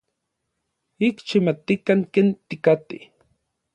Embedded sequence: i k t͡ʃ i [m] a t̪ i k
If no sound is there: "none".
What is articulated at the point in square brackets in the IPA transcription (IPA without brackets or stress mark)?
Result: m